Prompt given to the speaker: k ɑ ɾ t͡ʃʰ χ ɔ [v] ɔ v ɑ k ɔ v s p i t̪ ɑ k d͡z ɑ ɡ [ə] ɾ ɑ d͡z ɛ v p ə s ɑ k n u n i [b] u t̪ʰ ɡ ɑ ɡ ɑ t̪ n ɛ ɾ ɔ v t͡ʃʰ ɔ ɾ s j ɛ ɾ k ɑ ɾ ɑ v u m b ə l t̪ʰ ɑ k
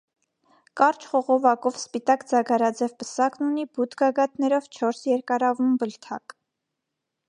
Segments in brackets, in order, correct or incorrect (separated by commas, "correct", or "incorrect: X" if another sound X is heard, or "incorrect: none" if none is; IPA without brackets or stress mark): incorrect: ʁ, incorrect: ɑ, correct